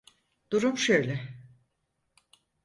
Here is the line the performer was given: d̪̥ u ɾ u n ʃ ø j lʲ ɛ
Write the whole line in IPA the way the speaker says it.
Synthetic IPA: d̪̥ u ɾ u m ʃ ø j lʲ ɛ